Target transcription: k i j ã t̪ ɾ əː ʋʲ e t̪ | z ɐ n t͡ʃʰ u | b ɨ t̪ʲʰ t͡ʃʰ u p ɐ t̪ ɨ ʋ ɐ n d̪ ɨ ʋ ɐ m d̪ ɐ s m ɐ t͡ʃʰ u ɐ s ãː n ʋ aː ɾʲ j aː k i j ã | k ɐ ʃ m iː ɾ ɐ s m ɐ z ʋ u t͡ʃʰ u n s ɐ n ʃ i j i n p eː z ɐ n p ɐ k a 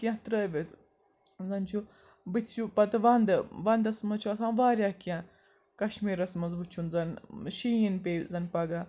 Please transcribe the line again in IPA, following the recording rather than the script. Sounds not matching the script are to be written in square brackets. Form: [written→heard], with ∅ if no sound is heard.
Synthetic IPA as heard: k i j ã t̪ ɾ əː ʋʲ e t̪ | z ɐ n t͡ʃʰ u | b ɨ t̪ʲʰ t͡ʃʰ u p ɐ t̪ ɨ ʋ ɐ n d̪ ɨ ʋ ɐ [m→n] d̪ ɐ s m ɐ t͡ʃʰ u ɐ s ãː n ʋ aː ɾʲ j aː k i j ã | k ɐ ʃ m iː ɾ ɐ s m ɐ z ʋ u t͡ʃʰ u n [s→z] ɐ n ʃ i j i n p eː z ɐ n p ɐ [k→ɡ] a